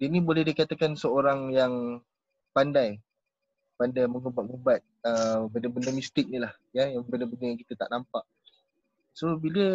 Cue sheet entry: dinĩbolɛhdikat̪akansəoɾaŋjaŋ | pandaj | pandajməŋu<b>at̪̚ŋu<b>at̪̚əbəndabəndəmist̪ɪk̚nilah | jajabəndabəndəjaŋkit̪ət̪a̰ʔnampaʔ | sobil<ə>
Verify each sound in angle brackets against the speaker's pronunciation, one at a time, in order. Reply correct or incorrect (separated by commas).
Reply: correct, correct, correct